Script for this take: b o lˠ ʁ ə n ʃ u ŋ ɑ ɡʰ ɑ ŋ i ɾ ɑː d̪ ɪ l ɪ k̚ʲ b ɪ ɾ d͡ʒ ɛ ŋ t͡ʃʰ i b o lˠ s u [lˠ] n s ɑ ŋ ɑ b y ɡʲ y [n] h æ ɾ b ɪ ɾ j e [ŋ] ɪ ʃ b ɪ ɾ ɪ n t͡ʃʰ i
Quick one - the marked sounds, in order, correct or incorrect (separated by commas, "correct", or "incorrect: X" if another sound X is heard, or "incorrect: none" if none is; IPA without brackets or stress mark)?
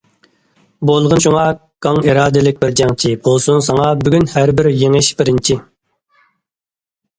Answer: incorrect: none, correct, correct